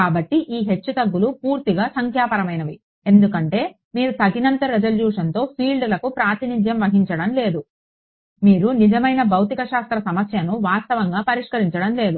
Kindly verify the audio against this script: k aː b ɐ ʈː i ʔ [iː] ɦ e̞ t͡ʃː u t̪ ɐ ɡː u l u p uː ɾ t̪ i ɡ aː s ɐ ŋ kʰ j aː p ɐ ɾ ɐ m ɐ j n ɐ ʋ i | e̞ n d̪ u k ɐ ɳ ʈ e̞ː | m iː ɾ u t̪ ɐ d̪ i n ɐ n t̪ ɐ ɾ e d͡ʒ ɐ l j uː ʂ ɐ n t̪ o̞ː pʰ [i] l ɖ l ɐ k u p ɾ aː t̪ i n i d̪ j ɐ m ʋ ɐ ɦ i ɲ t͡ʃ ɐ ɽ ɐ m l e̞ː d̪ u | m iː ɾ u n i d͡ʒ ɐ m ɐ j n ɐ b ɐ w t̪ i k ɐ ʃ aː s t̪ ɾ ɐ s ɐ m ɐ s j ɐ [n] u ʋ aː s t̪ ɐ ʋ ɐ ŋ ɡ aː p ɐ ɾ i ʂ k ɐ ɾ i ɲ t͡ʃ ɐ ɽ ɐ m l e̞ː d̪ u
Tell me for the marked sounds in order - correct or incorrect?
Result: correct, incorrect: iː, correct

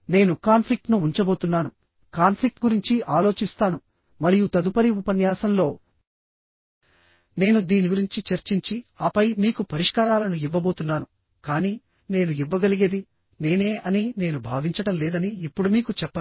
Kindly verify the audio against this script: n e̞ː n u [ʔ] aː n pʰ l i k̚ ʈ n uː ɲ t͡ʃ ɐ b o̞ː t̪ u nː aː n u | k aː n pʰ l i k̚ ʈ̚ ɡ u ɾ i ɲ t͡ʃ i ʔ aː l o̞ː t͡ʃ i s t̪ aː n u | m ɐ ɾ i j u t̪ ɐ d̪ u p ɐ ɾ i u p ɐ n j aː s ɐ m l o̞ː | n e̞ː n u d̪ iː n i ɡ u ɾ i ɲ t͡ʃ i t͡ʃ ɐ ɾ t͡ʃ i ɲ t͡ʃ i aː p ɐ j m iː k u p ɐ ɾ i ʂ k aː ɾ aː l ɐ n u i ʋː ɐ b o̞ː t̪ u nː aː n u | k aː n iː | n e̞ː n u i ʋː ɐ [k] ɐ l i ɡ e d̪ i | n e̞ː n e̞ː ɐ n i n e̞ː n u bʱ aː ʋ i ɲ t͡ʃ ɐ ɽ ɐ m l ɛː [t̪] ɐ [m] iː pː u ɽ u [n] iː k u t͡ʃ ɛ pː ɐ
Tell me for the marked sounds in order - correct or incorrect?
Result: incorrect: k, incorrect: ɡ, incorrect: d̪, incorrect: n, incorrect: m

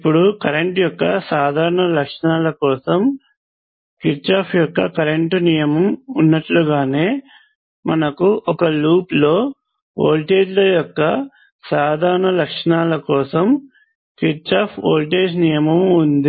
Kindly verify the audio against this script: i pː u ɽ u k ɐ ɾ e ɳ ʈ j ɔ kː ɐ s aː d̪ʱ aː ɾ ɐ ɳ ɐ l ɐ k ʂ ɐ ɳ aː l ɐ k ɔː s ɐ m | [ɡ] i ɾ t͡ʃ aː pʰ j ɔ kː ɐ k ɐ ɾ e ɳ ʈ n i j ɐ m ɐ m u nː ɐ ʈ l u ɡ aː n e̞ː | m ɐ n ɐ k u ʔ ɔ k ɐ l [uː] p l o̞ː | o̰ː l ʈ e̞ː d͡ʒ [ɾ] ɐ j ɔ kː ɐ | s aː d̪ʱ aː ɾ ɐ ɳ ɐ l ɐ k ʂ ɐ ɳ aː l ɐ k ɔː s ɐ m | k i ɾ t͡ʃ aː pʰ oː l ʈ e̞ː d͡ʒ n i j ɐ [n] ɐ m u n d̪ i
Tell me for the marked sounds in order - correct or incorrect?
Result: incorrect: k, correct, incorrect: l, incorrect: m

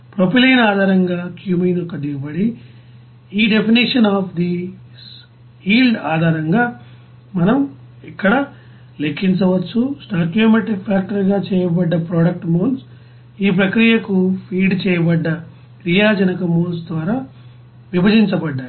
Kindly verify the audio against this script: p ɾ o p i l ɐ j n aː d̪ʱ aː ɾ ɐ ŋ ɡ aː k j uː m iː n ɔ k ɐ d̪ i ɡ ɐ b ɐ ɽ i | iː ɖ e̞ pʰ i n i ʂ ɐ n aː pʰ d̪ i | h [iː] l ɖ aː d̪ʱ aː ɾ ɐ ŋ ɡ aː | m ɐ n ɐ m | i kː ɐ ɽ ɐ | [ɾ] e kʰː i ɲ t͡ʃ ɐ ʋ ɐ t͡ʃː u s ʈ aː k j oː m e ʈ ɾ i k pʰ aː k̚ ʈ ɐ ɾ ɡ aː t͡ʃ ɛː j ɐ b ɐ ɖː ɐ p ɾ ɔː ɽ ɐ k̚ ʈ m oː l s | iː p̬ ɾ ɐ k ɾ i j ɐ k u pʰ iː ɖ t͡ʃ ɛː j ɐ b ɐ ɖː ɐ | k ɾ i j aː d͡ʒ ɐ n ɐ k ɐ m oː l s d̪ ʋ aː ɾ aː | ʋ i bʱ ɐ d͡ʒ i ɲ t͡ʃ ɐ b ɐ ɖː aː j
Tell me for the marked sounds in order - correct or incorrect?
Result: correct, incorrect: l

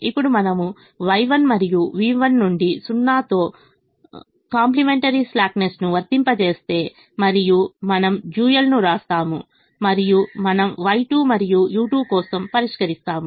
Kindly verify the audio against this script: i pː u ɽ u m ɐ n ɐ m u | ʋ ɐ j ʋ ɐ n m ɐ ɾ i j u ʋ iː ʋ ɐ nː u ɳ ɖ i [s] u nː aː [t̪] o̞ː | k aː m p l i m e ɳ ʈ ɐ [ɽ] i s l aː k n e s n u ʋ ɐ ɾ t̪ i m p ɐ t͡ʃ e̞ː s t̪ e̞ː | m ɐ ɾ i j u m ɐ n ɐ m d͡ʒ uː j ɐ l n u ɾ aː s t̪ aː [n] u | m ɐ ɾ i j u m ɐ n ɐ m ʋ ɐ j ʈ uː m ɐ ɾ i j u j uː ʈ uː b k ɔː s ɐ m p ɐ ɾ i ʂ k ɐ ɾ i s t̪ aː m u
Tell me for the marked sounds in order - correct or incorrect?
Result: correct, correct, incorrect: ɾ, incorrect: m

